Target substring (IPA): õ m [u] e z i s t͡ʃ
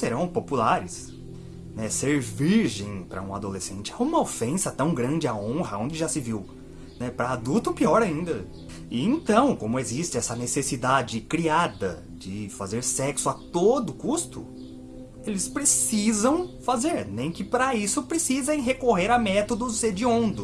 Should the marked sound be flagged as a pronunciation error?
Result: yes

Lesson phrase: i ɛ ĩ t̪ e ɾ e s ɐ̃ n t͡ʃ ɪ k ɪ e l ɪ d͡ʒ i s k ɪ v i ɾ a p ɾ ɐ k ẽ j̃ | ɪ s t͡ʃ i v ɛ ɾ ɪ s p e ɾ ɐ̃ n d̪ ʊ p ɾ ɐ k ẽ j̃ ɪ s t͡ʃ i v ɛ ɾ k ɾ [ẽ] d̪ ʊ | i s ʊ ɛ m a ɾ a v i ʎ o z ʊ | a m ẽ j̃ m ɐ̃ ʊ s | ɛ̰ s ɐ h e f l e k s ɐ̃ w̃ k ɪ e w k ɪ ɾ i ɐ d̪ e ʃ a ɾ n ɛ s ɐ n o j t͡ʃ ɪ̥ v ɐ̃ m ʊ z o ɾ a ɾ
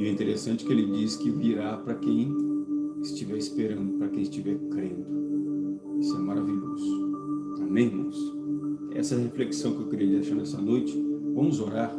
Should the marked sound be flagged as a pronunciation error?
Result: no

